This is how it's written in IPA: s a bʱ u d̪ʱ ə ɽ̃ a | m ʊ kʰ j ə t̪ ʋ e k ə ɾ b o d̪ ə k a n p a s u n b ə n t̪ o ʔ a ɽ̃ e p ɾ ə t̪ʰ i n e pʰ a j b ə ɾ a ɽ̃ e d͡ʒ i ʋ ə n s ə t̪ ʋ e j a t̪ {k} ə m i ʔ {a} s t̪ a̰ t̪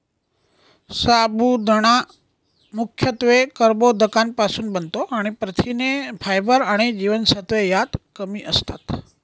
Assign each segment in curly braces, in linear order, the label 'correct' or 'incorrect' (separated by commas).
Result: correct, incorrect